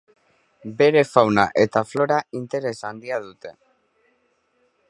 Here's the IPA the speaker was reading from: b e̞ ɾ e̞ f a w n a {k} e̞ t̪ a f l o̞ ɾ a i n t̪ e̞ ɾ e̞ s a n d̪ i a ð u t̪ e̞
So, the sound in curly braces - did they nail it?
no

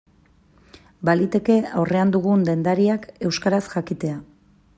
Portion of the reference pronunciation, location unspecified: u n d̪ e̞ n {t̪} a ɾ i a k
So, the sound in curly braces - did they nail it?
no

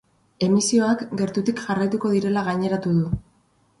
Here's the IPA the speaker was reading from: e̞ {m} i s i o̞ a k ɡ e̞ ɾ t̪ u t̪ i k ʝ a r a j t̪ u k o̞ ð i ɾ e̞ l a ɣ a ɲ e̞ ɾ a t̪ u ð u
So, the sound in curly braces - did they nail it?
yes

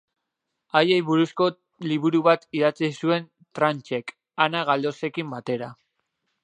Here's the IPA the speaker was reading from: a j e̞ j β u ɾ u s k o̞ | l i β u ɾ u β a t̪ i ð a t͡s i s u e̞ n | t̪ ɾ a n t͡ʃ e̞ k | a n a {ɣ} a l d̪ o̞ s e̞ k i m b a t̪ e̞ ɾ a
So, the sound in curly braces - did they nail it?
yes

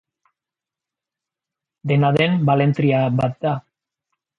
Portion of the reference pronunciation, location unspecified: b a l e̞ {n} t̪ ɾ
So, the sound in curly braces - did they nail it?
yes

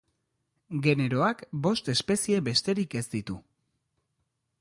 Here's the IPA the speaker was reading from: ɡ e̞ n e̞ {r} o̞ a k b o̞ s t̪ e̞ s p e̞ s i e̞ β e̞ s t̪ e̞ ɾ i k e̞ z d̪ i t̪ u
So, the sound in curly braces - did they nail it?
no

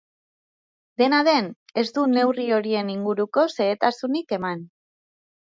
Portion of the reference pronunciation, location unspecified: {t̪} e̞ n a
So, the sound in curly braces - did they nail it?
no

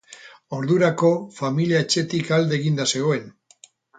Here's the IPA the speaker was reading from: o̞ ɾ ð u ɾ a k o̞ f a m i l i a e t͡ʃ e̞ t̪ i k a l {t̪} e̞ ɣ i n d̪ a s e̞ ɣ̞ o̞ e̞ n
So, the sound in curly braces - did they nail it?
no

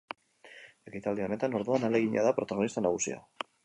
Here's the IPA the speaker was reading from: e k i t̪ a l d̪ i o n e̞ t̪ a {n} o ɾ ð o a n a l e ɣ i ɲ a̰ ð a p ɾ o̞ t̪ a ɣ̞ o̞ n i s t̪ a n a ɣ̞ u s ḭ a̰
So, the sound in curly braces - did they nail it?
yes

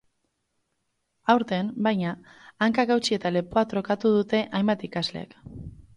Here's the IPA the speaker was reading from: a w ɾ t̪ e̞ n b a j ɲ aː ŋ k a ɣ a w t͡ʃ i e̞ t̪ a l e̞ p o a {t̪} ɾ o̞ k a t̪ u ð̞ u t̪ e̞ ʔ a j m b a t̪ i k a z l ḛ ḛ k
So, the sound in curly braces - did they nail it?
yes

